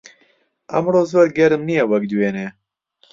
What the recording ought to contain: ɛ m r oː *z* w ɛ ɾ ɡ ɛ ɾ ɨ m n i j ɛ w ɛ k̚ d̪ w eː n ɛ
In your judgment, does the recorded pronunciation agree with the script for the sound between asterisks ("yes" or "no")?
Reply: yes